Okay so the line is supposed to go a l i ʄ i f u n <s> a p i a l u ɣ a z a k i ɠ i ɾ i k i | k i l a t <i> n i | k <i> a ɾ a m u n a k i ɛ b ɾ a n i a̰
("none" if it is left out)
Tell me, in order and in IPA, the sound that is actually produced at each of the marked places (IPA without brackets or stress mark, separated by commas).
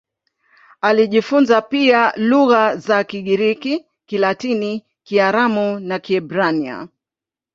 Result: z, i, i